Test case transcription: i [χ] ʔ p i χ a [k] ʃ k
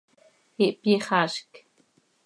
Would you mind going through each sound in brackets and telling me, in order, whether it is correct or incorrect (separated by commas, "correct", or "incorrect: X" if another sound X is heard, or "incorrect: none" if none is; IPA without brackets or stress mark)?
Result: incorrect: none, incorrect: none